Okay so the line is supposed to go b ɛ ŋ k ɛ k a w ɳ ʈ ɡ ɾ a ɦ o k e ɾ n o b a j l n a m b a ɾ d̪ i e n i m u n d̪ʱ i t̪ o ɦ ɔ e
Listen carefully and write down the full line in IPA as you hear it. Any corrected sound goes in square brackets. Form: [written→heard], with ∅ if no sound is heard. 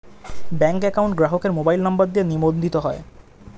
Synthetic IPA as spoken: b ɛ ŋ k ɛ k a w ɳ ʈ ɡ ɾ a ɦ o k e ɾ [n→m] o b a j l n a m b a ɾ d̪ i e n i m [u→o] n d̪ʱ i t̪ o ɦ ɔ e